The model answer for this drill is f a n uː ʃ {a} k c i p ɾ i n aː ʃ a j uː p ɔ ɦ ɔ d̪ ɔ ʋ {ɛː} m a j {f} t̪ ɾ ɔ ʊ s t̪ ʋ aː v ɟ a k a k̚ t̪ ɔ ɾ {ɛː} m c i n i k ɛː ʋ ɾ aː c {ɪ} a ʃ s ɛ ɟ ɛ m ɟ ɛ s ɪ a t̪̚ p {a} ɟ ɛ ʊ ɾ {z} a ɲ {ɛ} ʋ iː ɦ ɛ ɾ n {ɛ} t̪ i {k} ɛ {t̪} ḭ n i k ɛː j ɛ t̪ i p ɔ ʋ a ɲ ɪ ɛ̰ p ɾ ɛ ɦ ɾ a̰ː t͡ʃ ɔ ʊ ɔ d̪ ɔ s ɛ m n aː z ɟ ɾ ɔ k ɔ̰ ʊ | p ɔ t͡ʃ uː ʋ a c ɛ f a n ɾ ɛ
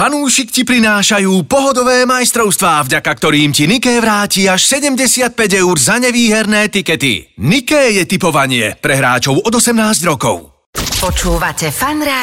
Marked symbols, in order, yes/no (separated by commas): no, yes, no, no, no, no, yes, yes, no, yes, yes